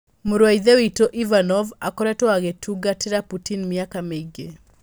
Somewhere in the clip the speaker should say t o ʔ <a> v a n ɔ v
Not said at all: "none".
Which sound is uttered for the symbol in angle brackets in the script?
i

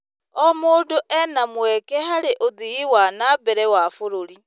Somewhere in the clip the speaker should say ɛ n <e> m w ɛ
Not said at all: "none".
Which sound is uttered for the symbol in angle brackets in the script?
a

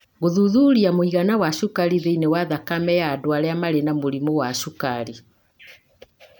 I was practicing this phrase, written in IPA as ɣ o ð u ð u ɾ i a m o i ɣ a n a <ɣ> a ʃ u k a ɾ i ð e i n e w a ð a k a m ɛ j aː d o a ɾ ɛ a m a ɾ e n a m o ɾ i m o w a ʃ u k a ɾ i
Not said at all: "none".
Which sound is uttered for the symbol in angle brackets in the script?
w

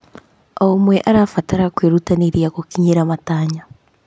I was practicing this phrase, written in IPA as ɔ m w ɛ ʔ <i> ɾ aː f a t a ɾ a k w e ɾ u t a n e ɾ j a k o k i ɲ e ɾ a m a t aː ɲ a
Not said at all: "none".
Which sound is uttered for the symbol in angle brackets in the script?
a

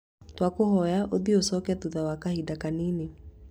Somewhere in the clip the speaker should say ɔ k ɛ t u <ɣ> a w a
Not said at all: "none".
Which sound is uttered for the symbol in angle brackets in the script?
ð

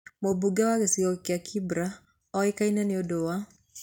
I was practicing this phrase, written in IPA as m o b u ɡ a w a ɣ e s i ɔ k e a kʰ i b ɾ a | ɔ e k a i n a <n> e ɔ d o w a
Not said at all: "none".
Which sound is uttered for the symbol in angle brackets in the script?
n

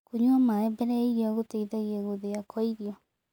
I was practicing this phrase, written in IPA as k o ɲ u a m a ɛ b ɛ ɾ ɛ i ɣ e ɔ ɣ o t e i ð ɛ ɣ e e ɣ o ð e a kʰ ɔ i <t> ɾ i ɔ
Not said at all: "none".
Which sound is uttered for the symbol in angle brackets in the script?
none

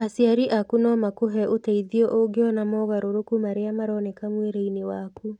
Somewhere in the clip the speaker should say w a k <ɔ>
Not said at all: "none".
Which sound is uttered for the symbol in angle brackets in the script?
u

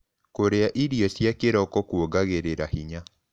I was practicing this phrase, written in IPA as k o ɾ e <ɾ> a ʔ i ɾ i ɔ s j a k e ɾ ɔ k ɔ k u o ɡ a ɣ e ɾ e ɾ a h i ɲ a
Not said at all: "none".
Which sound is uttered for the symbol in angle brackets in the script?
none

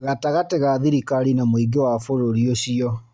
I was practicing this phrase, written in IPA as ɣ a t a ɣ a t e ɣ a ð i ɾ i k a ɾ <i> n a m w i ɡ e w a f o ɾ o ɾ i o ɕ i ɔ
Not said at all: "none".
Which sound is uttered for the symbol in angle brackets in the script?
i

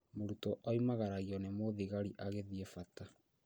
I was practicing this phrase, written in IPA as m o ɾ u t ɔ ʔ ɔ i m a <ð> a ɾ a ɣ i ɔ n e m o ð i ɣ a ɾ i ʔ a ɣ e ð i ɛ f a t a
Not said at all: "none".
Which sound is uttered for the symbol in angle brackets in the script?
ɣ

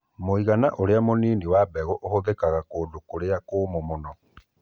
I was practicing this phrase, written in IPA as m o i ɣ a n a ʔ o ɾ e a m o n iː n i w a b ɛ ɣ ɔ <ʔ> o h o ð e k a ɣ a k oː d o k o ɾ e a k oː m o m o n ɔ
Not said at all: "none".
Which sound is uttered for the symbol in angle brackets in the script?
ʔ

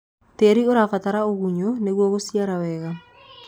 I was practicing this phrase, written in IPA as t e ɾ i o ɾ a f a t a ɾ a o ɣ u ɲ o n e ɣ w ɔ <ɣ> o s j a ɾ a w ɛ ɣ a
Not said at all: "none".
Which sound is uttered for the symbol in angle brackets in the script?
ɣ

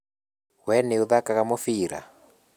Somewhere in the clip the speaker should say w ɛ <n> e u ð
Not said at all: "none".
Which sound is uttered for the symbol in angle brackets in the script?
n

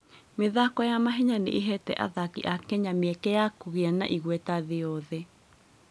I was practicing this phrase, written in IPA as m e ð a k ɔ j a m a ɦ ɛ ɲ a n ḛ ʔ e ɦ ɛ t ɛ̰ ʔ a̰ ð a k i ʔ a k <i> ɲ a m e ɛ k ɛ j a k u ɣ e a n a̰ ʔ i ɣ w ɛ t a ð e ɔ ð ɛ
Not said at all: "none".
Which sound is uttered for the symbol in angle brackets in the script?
ɛ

